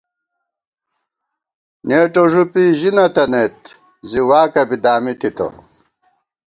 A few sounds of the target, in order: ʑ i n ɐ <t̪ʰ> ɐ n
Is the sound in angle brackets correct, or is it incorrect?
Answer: incorrect